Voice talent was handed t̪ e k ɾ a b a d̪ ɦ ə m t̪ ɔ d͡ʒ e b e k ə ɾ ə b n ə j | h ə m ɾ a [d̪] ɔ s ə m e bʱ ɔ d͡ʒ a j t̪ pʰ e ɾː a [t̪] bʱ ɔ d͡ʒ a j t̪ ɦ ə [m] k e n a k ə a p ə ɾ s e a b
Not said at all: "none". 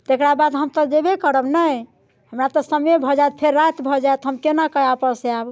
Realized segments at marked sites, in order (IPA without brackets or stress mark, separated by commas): t̪, t̪, m